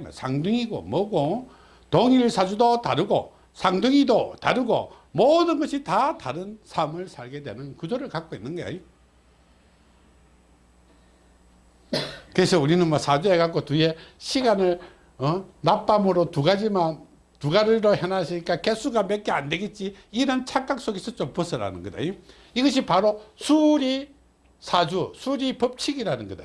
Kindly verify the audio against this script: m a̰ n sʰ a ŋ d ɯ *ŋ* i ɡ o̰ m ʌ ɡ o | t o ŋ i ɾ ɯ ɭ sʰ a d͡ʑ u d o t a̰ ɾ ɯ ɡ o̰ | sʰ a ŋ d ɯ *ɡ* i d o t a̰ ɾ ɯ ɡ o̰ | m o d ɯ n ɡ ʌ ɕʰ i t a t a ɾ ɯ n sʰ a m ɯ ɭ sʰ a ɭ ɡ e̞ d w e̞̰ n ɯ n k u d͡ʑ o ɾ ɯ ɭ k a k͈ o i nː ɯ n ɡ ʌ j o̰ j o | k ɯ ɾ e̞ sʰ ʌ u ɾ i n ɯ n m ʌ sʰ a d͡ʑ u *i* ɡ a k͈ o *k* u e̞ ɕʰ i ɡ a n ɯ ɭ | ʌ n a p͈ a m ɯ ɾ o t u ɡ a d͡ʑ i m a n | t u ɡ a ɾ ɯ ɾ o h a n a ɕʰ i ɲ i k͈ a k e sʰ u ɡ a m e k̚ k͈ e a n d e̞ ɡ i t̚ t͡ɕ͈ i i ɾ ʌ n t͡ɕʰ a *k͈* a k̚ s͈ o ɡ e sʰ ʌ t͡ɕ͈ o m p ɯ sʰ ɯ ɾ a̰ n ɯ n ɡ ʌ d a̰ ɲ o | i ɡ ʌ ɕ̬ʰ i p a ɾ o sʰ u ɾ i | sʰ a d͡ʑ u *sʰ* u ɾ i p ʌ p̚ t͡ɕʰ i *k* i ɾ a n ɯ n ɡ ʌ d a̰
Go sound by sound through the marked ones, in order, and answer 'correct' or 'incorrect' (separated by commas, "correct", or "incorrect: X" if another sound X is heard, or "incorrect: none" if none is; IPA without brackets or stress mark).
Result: correct, incorrect: ŋ, incorrect: e, incorrect: t, correct, correct, incorrect: ɡ